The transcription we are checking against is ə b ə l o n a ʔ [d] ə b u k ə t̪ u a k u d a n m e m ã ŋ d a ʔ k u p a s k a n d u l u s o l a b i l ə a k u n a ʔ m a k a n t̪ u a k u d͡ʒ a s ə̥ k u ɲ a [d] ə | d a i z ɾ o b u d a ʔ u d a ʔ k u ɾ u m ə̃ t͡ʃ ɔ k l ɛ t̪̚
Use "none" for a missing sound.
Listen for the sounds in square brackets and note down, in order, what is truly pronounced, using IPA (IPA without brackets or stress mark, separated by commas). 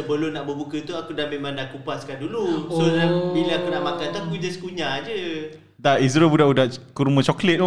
b, d͡ʒ